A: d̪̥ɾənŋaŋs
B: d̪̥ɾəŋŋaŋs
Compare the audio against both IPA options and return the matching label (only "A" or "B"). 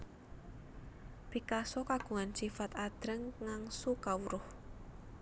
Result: B